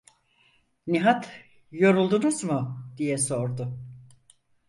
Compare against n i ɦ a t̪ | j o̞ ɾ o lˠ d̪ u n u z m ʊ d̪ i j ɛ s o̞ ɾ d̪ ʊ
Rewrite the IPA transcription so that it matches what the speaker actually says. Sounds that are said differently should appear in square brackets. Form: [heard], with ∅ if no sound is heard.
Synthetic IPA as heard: n i ɦ a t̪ | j o̞ ɾ [u] lˠ d̪ u n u z m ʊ d̪ i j ɛ s o̞ ɾ d̪ ʊ